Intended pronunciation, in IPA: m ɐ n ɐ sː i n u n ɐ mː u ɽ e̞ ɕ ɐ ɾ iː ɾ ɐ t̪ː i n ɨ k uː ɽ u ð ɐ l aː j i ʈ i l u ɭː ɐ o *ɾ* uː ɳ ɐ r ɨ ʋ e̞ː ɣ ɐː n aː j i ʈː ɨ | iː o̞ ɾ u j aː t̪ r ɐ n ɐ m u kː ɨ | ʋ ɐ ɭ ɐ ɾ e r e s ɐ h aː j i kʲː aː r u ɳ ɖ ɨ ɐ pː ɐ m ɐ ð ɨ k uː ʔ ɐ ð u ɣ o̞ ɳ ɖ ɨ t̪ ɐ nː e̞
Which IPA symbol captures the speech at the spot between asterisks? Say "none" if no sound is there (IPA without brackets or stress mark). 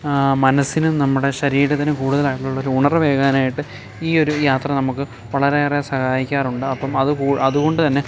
ɾ